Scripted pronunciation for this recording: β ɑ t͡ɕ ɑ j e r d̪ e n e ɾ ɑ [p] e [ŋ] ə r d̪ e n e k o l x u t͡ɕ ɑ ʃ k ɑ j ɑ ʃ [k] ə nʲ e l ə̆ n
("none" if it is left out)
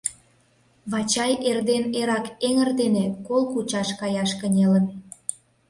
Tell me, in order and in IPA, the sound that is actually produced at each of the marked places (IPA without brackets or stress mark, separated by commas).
k, ŋ, k